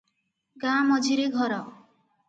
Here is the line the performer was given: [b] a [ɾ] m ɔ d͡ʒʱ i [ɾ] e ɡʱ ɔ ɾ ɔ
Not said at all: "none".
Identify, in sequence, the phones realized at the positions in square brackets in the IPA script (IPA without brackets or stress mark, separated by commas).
ɡ, none, ɾ